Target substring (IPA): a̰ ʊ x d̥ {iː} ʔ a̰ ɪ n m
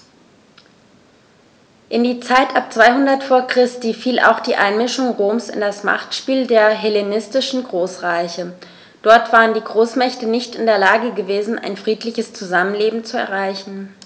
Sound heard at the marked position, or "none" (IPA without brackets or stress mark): iː